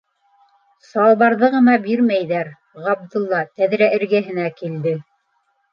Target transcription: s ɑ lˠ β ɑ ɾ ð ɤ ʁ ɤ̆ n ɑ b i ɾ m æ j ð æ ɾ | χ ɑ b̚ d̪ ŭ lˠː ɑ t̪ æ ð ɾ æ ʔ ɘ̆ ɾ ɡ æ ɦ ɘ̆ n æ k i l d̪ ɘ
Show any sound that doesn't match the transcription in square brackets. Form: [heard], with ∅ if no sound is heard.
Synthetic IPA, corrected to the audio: s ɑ lˠ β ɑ ɾ ð ɤ ʁ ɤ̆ n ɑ b i ɾ m æ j ð æ ɾ | [ʁ] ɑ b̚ d̪ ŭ lˠː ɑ t̪ æ ð ɾ æ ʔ ɘ̆ ɾ ɡ æ ɦ ɘ̆ n æ k i l d̪ ɘ